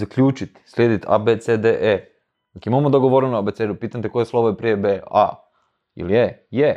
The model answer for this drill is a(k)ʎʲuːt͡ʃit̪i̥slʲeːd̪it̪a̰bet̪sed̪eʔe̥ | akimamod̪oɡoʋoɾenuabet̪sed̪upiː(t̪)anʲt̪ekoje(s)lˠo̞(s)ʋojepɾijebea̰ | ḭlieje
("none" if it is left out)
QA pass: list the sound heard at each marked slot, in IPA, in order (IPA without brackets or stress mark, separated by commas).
k, t̪, s, none